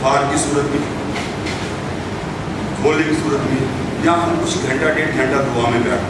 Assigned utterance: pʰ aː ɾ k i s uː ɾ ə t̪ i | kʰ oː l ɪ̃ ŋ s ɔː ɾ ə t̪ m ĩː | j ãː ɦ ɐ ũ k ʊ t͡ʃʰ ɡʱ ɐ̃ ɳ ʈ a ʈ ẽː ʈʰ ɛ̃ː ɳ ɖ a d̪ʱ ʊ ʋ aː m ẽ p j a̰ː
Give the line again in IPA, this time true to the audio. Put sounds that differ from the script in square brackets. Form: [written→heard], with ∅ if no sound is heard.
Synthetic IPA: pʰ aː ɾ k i s uː ɾ ə t̪ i | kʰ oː l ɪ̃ ŋ s [ɔː→uː] ɾ ə t̪ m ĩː | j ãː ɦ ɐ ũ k ʊ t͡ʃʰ ɡʱ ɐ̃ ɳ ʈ a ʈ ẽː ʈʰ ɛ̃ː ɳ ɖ a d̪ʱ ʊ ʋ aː m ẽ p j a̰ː